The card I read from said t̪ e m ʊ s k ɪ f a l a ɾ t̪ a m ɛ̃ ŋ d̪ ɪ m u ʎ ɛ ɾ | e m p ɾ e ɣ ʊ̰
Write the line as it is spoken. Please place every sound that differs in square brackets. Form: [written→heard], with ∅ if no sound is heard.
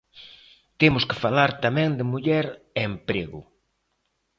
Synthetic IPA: t̪ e m ʊ s k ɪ f a l a ɾ t̪ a m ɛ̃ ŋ d̪ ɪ m u ʎ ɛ ɾ | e m p ɾ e ɣ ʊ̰